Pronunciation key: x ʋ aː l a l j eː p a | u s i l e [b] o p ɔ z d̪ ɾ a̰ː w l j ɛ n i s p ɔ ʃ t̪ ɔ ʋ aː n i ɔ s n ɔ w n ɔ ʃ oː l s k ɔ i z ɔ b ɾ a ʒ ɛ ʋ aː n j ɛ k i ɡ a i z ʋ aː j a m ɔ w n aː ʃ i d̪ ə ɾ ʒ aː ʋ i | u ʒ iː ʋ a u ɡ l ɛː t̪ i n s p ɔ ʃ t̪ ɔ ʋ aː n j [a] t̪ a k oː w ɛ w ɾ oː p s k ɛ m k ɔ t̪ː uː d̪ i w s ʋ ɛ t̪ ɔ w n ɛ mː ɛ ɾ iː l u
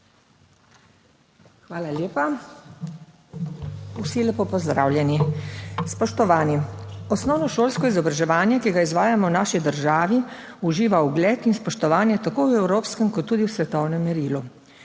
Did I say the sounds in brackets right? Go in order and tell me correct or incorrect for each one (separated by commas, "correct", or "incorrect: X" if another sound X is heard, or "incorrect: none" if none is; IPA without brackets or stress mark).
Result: incorrect: p, incorrect: ɛ